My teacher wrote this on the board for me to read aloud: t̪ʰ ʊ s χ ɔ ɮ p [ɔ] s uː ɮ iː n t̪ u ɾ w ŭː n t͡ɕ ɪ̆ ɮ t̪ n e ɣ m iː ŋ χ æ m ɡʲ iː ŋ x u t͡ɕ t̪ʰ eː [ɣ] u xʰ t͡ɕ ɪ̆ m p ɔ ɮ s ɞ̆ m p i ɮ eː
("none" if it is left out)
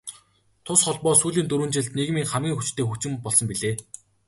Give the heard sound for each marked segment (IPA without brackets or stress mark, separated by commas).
ɔː, x